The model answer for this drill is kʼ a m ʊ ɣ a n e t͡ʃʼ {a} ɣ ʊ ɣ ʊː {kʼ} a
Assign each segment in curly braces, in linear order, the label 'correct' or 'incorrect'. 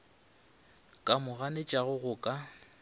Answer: correct, correct

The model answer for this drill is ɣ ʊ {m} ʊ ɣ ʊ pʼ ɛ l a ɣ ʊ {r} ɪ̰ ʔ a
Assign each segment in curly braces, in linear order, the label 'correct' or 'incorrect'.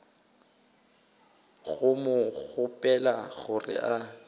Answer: correct, correct

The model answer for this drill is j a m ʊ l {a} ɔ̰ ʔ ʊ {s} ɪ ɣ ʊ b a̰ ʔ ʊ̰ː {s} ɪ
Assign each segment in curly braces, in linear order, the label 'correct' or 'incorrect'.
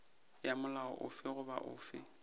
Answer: correct, incorrect: f, incorrect: f

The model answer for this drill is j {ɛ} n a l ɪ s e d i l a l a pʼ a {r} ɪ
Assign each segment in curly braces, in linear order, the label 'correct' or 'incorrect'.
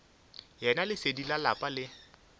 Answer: correct, incorrect: l

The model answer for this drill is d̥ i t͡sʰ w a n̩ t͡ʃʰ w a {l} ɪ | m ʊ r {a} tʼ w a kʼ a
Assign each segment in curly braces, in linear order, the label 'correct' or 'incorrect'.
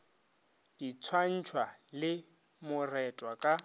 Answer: correct, incorrect: ɛ

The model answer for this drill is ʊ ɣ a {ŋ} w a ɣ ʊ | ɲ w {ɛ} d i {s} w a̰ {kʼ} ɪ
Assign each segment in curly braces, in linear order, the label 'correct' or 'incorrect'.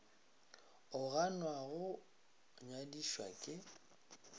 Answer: incorrect: n, incorrect: a, incorrect: ʃ, correct

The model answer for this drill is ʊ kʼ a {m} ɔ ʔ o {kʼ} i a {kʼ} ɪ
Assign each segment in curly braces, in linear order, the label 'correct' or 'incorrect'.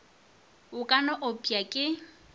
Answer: incorrect: n, incorrect: pʼ, correct

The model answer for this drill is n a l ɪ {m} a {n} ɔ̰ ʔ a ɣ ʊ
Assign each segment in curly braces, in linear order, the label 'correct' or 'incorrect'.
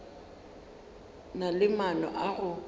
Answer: correct, correct

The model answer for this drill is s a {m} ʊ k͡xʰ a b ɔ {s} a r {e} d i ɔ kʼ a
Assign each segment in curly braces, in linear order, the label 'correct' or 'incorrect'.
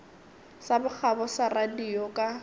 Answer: incorrect: b, correct, incorrect: a

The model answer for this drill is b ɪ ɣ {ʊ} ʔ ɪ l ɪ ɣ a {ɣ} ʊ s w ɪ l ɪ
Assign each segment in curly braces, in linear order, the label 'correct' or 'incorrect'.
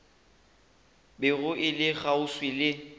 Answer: correct, incorrect: none

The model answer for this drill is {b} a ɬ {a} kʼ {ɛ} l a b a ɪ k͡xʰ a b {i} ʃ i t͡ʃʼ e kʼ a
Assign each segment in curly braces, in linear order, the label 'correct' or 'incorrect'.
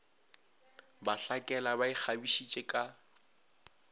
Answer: correct, correct, correct, correct

